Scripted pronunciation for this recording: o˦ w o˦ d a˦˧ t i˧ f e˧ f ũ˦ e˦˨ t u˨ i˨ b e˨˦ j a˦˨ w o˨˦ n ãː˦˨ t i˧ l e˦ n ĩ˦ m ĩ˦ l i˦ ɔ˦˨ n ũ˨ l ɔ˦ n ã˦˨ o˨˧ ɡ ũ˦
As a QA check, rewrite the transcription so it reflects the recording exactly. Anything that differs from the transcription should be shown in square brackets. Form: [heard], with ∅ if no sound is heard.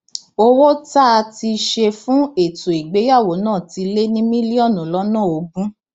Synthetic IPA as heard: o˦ w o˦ [t] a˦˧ t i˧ [ʃ] e˧ f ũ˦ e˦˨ t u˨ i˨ [ɡ͡b] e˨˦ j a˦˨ w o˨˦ n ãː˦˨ t i˧ l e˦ n ĩ˦ m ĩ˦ l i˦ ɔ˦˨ n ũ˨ l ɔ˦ n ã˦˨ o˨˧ ɡ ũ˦